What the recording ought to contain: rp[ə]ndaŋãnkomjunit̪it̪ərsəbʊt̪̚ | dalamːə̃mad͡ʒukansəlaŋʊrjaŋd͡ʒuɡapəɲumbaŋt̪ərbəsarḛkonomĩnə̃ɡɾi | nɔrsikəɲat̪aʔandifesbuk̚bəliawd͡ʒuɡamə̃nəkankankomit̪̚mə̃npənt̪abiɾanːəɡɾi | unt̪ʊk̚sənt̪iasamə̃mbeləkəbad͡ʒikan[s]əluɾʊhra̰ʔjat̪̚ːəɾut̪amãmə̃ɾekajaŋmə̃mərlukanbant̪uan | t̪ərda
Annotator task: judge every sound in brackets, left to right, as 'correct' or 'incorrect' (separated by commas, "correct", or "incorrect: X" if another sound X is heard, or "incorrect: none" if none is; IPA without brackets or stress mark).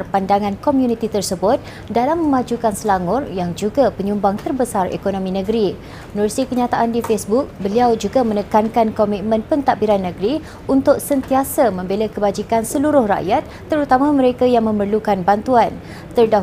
incorrect: a, correct